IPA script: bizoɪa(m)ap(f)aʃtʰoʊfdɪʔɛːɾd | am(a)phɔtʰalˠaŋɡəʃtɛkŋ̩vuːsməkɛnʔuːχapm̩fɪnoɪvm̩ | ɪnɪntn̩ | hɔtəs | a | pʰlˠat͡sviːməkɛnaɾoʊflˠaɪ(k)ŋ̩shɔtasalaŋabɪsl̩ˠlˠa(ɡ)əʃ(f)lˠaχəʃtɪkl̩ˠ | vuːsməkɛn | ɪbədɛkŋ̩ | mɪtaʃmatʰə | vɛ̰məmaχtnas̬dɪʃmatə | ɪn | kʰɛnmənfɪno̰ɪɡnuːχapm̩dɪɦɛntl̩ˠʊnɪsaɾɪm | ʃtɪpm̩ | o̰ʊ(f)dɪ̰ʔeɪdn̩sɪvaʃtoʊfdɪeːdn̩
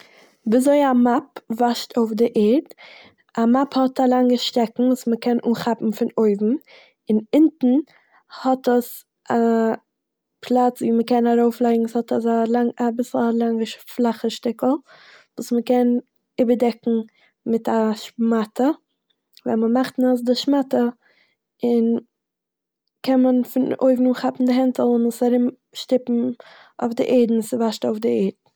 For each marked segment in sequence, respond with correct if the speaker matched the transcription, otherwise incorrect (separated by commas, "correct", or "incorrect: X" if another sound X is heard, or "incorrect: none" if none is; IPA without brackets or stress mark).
correct, incorrect: v, correct, incorrect: ɡ, incorrect: ŋ, correct, correct